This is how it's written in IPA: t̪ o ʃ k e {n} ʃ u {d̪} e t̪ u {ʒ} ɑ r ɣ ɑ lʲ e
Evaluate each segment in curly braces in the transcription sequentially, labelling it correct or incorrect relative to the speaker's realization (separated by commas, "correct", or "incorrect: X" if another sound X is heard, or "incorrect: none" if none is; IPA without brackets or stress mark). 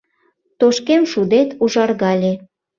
incorrect: m, correct, correct